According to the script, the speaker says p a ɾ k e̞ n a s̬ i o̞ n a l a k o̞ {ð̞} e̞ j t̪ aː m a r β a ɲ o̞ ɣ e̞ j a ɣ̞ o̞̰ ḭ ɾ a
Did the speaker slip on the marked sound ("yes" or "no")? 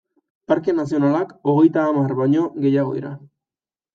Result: yes